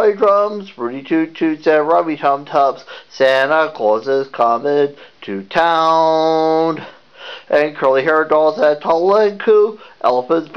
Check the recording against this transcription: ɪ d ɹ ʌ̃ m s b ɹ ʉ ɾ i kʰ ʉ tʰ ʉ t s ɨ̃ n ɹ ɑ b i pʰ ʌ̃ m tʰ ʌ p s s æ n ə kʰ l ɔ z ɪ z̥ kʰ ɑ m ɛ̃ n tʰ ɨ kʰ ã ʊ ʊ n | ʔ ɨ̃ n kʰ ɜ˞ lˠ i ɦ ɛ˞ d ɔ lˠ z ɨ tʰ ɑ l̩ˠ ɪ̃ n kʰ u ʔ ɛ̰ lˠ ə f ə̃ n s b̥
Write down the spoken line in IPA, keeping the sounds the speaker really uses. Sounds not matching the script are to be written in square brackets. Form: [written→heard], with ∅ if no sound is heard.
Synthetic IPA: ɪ d ɹ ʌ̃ m [s→z] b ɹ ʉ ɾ i [kʰ→tʰ] ʉ tʰ ʉ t s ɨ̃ n ɹ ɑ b i [pʰ→tʰ] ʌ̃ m tʰ ʌ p s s æ n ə kʰ l ɔ z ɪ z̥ kʰ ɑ m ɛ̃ n tʰ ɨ [kʰ→tʰ] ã ʊ ʊ n | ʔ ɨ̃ n kʰ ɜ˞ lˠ i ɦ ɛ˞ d ɔ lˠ z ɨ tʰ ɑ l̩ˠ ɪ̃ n kʰ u ʔ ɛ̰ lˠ ə f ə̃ n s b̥